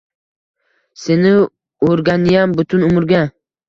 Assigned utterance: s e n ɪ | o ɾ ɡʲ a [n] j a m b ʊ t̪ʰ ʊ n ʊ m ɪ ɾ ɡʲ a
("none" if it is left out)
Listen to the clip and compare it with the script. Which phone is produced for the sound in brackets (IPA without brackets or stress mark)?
n